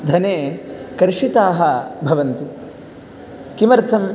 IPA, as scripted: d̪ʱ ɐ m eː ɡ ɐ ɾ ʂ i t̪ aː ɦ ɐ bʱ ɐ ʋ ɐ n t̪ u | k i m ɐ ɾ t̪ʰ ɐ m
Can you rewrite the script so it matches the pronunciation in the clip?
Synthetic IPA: d̪ʱ ɐ n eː k ɐ ɾ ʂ i t̪ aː ɦ ɐ bʱ ɐ ʋ ɐ n t̪ u | k i m ɐ ɾ t̪ʰ ɐ m